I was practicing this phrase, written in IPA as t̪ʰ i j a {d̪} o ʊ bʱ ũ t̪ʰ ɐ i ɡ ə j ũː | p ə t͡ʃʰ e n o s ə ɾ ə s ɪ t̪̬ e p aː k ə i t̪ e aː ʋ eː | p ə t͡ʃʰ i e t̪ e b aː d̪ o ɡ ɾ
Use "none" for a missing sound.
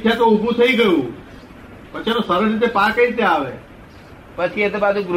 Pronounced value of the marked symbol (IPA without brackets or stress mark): t̪